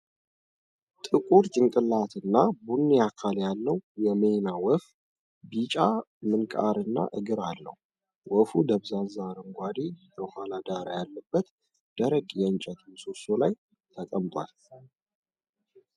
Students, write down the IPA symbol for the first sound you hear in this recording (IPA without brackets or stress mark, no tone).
t̪ʼ